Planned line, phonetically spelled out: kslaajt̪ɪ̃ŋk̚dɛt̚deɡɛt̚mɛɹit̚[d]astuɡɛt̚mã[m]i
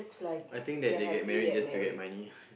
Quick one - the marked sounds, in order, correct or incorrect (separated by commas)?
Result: incorrect, incorrect